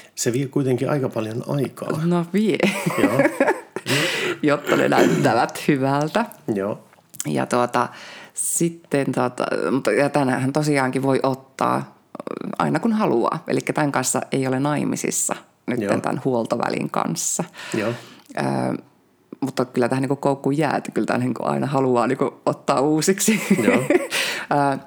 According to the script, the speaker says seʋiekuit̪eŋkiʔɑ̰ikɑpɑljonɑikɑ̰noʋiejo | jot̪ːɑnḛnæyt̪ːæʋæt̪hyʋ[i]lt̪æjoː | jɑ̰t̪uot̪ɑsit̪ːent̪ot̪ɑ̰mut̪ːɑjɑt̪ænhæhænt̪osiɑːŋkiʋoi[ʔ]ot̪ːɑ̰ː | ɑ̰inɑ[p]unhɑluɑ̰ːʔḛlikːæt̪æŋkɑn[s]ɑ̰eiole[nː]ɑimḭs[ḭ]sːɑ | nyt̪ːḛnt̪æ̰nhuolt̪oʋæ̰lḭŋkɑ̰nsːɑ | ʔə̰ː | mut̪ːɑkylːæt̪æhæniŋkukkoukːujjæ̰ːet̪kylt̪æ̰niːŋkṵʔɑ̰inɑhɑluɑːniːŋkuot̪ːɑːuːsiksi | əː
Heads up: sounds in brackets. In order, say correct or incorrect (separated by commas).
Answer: incorrect, correct, incorrect, incorrect, incorrect, correct